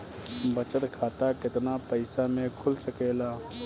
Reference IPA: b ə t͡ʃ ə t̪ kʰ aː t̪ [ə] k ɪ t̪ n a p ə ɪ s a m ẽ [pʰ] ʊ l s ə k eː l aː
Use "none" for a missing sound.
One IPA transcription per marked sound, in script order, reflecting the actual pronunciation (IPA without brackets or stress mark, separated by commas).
a, kʰ